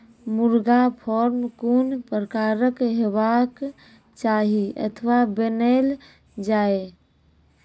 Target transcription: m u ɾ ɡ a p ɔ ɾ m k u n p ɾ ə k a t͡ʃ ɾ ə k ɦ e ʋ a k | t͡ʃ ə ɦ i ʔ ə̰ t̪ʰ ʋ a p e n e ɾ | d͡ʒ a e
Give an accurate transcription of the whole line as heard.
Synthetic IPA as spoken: m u ɾ ɡ a pʰ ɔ ɾ m k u n p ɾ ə k a ɾ ə k ɦ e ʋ a k | t͡ʃ a ɦ i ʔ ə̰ t̪ʰ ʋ a b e n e l | d͡ʒ a e